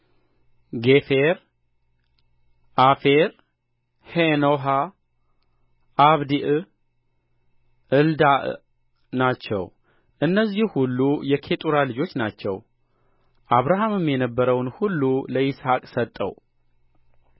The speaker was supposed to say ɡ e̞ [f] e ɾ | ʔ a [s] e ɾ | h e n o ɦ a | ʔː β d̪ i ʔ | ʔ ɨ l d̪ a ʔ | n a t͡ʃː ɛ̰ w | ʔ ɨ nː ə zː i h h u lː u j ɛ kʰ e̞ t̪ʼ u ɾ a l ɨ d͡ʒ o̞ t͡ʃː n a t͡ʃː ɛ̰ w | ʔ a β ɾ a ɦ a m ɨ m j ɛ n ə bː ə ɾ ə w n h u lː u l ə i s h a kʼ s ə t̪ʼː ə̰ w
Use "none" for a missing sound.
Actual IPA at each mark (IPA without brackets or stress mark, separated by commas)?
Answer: f, f